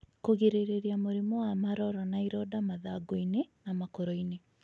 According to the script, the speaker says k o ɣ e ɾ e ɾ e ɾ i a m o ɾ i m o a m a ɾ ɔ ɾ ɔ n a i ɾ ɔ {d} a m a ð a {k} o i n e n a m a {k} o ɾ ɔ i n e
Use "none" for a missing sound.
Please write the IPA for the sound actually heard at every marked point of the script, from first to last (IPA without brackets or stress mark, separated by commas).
d, ɡ, k